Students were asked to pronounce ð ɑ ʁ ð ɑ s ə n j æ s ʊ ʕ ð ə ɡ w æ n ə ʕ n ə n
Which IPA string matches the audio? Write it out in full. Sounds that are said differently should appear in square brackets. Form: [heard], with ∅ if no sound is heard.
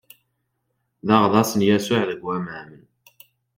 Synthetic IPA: ð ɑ ʁ ð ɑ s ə n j æ s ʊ ʕ ð ə ɡ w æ [m] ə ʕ [m] ə n